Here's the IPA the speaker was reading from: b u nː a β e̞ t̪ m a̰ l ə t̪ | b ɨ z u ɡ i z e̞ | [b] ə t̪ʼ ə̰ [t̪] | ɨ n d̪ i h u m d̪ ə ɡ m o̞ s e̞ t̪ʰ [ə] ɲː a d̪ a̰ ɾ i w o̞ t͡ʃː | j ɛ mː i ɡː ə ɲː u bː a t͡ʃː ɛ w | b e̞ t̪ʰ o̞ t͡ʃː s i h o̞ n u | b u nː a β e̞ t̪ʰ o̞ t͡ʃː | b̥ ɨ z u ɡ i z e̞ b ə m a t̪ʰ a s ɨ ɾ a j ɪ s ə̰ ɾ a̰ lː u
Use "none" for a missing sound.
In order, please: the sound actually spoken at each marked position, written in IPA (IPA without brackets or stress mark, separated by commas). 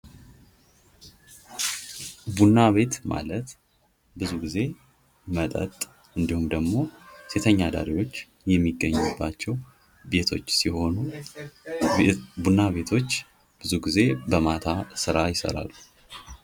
m, t̪ʼ, ə